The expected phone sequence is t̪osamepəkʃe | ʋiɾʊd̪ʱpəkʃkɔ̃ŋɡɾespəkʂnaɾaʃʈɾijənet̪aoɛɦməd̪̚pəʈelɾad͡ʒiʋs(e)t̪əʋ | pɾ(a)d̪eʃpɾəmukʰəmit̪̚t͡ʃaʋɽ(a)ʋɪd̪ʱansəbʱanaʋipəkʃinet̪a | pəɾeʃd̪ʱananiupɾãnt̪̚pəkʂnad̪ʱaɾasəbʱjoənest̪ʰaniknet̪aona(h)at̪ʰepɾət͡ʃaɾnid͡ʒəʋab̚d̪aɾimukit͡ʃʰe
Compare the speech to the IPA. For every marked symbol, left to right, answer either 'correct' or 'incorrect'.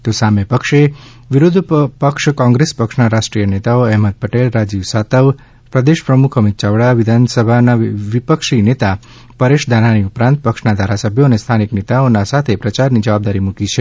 incorrect: a, incorrect: ə, correct, incorrect: s

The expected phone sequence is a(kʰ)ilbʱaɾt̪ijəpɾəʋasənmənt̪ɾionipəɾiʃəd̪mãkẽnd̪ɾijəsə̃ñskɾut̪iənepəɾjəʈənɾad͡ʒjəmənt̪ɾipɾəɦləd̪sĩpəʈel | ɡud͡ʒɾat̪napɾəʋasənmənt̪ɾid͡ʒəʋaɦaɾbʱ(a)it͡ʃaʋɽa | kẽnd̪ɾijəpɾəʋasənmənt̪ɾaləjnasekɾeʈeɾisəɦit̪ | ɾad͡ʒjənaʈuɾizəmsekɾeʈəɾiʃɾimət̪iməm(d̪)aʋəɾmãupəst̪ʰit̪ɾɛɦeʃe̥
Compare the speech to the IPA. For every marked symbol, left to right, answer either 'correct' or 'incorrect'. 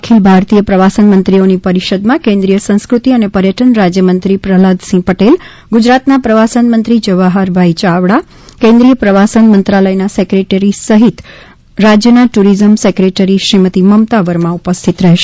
correct, correct, incorrect: t̪

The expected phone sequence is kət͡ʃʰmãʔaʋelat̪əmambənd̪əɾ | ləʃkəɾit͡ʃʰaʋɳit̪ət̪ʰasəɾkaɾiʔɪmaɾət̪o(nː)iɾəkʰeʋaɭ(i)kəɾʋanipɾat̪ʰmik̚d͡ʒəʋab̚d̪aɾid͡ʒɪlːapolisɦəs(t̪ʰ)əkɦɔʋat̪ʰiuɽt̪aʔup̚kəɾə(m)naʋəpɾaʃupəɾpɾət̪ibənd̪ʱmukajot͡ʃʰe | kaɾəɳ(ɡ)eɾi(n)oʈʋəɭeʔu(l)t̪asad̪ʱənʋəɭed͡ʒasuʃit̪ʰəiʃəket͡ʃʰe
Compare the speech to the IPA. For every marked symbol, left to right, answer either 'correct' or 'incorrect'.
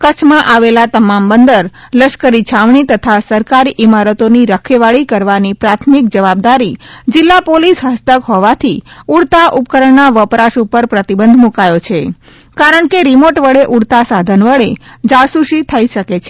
incorrect: n, correct, incorrect: t̪, incorrect: ɳ, incorrect: k, incorrect: m, incorrect: ɽ

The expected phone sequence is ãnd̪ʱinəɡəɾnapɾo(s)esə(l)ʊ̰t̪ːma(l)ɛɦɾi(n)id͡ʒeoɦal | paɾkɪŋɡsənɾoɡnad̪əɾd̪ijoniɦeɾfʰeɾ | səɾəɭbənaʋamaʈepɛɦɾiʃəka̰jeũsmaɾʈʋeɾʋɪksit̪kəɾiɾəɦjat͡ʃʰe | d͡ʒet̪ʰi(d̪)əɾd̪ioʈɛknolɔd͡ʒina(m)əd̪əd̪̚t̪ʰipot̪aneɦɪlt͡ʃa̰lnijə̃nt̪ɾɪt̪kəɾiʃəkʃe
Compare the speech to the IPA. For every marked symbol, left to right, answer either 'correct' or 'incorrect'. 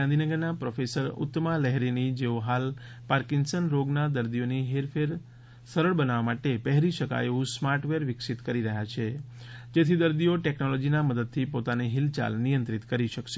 incorrect: f, incorrect: ɾ, correct, correct, correct, correct

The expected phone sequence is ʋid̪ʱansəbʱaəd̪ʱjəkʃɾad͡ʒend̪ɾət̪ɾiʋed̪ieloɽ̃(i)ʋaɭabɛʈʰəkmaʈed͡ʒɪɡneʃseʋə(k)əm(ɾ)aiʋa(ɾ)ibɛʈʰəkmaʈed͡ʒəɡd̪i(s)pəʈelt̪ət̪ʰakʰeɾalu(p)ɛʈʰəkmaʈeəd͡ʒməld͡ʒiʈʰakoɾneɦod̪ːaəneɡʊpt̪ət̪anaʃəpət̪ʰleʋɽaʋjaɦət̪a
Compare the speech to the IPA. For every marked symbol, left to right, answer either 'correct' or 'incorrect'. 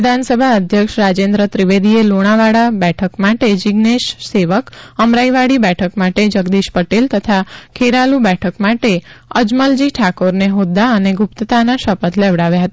incorrect: a, correct, correct, incorrect: ɽ, incorrect: ʃ, incorrect: b

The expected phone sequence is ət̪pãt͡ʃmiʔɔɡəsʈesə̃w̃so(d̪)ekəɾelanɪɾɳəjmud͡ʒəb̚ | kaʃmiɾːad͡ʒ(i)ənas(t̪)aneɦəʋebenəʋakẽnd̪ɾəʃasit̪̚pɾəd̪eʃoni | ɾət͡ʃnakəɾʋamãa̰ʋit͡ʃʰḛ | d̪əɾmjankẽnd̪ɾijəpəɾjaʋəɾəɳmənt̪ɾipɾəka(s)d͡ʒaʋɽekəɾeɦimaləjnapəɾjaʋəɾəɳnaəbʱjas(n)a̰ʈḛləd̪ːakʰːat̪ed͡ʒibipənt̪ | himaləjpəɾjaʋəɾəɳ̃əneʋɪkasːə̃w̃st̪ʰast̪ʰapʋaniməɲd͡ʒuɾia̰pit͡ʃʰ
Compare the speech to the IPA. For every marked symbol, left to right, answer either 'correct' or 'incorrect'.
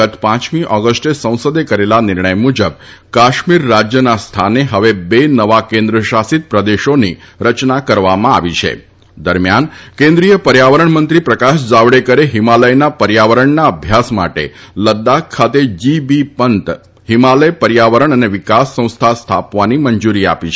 correct, incorrect: j, incorrect: t̪ʰ, incorrect: ʃ, incorrect: m

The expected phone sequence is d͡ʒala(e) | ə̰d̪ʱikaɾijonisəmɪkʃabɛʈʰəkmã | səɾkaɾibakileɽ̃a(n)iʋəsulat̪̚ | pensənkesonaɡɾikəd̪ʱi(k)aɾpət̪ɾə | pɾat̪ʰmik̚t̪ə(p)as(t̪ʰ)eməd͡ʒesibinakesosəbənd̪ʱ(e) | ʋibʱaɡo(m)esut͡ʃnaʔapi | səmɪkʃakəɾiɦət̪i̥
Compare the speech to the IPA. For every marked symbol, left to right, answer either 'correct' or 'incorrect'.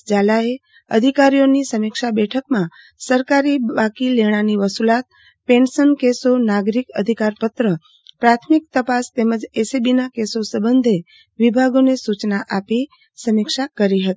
correct, correct, correct, correct, incorrect: t̪, correct, incorrect: n

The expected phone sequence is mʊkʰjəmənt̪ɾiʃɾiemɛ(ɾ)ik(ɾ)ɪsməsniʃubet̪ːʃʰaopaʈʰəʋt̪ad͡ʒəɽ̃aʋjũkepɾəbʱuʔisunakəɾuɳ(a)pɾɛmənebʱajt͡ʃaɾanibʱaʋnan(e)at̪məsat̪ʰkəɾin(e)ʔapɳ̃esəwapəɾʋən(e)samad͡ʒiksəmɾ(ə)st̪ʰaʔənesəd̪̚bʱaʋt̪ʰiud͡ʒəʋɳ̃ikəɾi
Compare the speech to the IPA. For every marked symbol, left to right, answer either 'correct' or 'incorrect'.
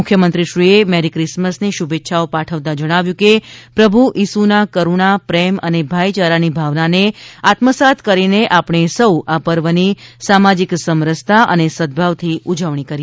correct, correct, correct, correct, correct, incorrect: i, correct

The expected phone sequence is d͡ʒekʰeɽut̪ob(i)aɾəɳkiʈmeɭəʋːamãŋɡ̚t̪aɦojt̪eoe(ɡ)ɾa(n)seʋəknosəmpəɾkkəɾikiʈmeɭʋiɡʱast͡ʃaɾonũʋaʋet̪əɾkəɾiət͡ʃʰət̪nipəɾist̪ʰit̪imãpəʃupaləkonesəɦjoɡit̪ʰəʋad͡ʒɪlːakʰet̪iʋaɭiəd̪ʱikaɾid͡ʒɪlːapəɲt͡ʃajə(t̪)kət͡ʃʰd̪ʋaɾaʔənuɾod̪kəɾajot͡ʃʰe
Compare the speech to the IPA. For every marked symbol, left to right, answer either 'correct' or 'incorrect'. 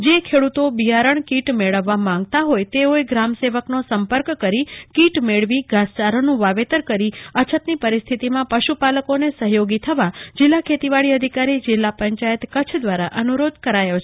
correct, correct, incorrect: m, correct

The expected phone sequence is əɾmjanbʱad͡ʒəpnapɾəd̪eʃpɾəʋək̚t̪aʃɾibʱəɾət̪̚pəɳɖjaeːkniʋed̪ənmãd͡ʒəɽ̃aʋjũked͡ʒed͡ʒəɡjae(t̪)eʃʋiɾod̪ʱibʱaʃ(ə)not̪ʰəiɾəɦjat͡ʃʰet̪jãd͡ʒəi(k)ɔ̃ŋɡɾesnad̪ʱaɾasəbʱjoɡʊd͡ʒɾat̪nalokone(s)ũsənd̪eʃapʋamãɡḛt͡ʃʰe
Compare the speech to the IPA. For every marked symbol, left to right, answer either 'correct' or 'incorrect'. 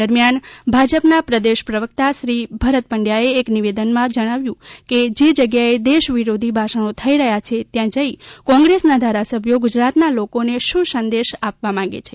incorrect: d̪, correct, correct, incorrect: ʃ

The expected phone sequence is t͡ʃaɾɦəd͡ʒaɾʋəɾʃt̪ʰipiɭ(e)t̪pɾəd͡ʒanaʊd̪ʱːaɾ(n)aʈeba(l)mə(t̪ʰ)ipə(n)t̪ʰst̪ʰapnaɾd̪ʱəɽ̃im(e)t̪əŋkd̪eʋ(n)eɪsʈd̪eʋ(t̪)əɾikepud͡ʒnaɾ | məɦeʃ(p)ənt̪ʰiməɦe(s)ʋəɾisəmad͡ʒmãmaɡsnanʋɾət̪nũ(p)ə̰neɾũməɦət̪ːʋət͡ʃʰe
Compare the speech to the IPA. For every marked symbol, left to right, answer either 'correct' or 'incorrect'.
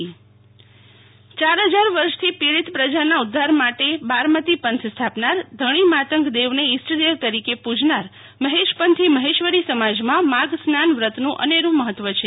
incorrect: i, incorrect: m, incorrect: ɾ, incorrect: t̪, correct, incorrect: a, correct, correct, correct, incorrect: ʃ, incorrect: ʔ

